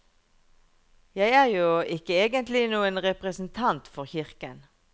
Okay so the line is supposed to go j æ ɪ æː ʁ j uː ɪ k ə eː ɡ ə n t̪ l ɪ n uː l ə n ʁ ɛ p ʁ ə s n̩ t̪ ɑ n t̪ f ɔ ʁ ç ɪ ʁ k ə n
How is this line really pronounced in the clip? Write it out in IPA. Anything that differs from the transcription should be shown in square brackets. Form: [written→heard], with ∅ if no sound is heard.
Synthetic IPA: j æ ɪ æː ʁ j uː ɪ k ə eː ɡ ə n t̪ l ɪ n uː [l→∅] ə n ʁ ɛ p ʁ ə s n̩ [t̪→t̪ʰ] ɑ n t̪ f ɔ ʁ ç ɪ ʁ k ə n